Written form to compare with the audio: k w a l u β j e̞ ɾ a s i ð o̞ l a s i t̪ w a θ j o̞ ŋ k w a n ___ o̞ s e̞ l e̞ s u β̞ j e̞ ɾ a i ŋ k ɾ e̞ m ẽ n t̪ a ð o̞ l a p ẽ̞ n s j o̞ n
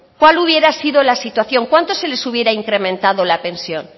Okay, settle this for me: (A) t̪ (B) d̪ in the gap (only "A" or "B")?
A